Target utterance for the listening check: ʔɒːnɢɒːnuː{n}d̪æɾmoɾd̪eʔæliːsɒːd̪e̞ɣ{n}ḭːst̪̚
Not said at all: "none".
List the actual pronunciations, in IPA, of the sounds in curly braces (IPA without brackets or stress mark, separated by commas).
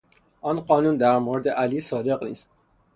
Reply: n, n